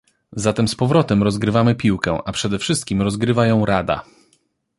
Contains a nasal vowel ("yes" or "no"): yes